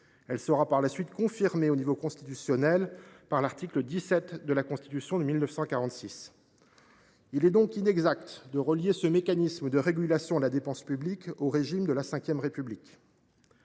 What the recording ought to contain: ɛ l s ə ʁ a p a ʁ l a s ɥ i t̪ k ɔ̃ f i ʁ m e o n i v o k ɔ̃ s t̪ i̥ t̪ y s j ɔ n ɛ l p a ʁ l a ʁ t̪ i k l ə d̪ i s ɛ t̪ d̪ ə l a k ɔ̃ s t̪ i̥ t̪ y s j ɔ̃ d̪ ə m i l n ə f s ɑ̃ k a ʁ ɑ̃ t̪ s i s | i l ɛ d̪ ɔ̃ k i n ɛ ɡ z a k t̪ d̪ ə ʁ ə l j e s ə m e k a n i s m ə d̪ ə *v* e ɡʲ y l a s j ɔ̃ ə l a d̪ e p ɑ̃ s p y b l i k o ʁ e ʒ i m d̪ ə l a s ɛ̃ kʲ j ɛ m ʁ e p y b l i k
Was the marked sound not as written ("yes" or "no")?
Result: yes